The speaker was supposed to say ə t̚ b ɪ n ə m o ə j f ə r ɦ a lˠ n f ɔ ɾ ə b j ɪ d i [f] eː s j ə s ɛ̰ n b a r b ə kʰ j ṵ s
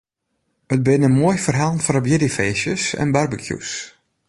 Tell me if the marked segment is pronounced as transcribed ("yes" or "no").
yes